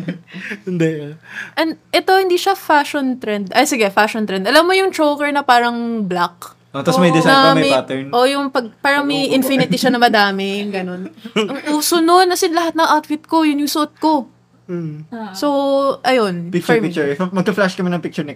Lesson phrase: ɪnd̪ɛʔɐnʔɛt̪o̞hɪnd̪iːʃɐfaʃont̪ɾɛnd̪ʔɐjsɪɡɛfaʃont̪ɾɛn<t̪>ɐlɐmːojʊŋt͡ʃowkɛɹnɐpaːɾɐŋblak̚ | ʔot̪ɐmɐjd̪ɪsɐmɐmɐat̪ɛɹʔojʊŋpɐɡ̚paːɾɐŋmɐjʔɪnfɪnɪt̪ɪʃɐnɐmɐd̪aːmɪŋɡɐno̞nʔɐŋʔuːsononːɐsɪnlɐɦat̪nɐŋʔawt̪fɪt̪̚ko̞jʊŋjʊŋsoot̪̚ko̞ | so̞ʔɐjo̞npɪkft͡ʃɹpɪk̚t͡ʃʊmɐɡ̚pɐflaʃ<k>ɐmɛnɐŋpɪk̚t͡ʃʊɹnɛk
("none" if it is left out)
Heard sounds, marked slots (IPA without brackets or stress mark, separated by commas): d̪, k